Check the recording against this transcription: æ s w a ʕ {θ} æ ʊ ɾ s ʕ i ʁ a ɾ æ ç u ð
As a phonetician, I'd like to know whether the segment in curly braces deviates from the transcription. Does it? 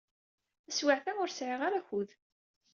no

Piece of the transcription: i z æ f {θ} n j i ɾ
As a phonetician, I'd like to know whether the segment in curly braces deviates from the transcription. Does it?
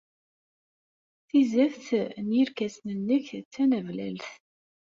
no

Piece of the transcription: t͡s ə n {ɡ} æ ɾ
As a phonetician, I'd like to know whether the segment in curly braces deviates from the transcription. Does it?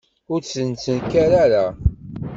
yes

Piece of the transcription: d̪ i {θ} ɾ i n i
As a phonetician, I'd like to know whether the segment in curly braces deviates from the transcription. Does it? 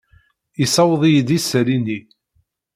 yes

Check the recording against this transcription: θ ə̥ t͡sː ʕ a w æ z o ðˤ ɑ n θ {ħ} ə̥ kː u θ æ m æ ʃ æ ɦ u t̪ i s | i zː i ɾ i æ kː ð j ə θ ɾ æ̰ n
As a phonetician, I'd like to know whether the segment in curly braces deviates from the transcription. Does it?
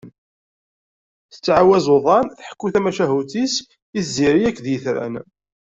no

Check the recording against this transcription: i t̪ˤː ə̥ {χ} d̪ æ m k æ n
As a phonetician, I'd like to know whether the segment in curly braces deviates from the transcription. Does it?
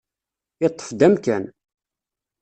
yes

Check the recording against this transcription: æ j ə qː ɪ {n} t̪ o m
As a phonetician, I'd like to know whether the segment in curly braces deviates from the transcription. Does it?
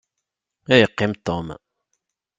yes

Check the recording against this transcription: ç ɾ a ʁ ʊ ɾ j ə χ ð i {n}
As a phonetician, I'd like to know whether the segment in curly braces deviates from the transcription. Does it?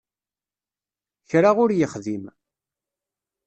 yes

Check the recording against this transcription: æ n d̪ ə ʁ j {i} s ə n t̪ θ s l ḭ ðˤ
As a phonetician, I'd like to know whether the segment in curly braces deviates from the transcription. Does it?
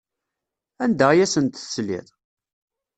yes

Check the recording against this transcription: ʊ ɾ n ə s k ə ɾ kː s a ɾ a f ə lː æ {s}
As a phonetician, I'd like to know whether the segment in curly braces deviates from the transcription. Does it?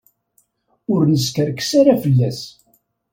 no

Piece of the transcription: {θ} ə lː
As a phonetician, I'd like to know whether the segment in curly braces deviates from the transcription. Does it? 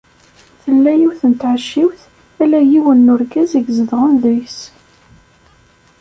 no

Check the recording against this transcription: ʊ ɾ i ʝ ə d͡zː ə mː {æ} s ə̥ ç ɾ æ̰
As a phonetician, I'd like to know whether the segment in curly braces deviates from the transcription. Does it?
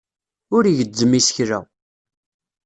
yes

